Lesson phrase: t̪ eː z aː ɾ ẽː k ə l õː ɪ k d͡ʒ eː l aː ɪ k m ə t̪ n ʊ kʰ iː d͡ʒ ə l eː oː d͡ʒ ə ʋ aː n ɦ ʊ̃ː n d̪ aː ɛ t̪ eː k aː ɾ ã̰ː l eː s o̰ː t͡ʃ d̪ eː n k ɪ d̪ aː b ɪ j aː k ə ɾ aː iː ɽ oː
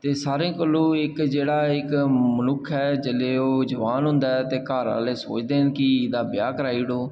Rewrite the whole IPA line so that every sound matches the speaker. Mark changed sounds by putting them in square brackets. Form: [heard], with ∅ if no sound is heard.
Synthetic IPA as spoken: t̪ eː [s] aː ɾ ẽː k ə l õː ɪ k d͡ʒ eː [ɽ] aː ɪ k m ə [∅] n ʊ kʰ [ɛː] d͡ʒ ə l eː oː d͡ʒ ə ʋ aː n ɦ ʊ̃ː n d̪ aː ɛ t̪ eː k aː ɾ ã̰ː l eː s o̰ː t͡ʃ d̪ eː n k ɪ d̪ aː b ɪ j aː k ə ɾ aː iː ɽ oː